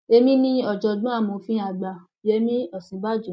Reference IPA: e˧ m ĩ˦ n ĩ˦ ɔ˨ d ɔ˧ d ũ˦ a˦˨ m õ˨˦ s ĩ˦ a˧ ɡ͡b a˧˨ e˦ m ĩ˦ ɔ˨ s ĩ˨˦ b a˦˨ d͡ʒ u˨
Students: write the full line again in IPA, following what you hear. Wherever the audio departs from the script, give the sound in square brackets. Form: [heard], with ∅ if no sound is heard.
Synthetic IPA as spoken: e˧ m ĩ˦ n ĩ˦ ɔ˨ [d͡ʒ] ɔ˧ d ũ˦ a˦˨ m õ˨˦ [f] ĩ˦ a˧ ɡ͡b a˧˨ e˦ m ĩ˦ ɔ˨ s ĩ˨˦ b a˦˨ d͡ʒ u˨